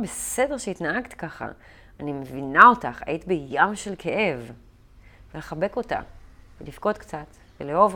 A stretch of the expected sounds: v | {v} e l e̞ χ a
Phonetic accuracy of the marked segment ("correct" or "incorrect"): correct